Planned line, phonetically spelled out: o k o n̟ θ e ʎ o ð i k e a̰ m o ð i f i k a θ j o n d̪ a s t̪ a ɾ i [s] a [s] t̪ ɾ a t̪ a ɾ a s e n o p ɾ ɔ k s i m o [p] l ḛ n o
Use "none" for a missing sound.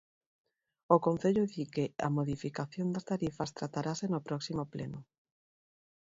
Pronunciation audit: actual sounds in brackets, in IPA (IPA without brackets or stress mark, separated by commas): f, s, p